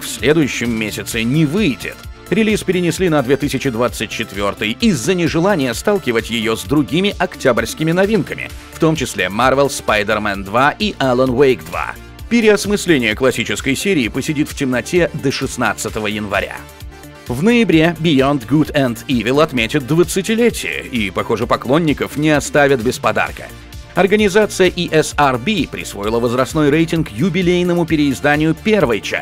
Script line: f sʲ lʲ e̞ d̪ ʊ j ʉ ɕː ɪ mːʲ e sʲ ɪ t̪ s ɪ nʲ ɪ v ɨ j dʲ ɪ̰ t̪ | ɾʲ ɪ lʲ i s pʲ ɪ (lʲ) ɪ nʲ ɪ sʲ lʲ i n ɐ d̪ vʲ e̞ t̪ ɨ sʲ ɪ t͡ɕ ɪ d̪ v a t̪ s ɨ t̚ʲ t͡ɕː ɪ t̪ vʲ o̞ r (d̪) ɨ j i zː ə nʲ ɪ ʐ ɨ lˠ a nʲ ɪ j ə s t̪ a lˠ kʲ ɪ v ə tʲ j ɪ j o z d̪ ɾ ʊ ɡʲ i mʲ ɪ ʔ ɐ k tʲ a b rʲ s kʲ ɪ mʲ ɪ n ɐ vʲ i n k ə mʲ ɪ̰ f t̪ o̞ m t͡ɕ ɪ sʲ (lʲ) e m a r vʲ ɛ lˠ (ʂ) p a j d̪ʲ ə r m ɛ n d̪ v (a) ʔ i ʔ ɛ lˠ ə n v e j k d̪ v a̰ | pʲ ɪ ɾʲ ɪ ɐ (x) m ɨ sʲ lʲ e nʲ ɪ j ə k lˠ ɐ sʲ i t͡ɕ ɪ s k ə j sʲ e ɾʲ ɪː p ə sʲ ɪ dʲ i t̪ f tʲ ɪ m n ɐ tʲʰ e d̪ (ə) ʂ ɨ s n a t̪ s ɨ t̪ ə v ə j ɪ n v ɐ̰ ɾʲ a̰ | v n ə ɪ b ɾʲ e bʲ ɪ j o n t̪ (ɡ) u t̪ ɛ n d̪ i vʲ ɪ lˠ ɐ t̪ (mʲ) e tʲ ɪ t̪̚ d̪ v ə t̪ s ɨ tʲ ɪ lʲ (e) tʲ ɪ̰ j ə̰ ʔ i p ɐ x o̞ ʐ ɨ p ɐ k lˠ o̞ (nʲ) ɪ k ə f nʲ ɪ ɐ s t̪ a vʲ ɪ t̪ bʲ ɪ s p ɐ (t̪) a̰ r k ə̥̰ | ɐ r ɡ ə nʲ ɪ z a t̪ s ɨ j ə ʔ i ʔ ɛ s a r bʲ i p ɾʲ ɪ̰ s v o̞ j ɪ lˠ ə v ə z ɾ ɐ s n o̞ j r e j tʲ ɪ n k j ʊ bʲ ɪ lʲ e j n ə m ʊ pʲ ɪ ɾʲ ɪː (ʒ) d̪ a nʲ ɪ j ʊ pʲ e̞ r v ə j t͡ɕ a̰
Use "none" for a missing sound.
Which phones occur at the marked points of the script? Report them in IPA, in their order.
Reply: ɾʲ, t̪, lʲ, s, a, s, ə, ɡ, mʲ, e, nʲː, d̪, z

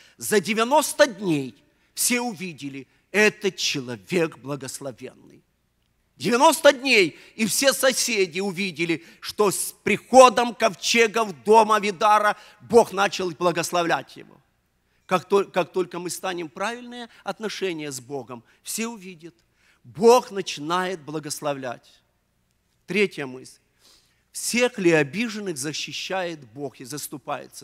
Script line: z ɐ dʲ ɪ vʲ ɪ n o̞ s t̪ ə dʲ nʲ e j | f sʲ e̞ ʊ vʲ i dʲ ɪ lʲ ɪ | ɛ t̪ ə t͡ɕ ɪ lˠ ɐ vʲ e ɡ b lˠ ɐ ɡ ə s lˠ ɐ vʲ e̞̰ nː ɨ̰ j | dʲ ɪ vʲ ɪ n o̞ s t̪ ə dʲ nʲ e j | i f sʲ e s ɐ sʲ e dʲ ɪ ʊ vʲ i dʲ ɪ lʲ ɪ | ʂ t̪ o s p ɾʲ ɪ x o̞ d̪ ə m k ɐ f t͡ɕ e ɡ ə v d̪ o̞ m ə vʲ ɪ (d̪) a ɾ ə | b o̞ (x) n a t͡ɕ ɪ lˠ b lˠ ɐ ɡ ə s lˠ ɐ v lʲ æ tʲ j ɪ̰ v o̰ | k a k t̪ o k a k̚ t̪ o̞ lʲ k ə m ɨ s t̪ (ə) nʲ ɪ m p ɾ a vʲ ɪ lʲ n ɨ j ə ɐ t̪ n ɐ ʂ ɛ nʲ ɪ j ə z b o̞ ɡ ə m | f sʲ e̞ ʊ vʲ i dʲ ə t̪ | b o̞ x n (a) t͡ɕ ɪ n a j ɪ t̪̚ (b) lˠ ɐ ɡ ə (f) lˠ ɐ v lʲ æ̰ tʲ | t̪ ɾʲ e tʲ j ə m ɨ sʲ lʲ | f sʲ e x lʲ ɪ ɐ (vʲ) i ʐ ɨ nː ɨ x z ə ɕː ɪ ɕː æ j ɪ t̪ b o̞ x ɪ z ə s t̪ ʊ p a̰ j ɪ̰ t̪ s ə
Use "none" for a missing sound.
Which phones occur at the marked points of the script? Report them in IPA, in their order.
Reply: d̪, x, a, ə, b, s, bʲ

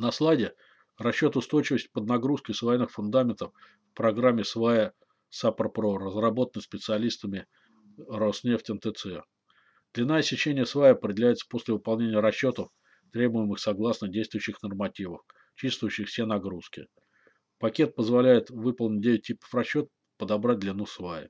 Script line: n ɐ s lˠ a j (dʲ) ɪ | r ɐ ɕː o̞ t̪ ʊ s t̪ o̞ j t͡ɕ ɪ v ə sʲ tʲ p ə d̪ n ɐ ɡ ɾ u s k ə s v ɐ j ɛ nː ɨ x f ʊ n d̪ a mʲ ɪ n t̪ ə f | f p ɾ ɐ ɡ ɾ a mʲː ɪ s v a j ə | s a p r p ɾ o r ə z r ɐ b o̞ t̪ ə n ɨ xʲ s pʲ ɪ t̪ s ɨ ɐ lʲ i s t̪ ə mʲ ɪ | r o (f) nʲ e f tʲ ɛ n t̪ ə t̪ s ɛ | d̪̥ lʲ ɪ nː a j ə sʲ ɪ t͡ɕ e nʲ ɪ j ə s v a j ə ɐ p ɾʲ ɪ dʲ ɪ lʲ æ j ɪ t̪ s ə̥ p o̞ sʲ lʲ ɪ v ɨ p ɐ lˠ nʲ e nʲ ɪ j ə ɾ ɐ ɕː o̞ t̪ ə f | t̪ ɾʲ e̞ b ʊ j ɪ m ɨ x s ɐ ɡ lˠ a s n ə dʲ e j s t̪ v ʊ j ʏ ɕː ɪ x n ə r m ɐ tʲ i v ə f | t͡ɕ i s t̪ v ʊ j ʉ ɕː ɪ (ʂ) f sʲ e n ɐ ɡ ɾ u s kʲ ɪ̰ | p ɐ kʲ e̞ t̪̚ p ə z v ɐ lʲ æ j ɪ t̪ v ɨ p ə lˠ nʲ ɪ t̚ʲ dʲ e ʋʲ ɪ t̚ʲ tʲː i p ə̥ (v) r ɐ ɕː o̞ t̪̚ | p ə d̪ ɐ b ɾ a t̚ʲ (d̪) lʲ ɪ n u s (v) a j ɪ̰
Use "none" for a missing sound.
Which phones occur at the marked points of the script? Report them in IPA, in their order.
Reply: dʲ, s, x, f, d̪, v

